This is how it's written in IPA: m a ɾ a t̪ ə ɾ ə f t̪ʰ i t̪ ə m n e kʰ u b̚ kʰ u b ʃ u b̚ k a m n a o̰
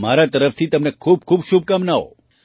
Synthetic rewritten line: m a ɾ a t̪ ə ɾ ə f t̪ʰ i t̪ ə m n e kʰ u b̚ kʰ u b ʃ u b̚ k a m n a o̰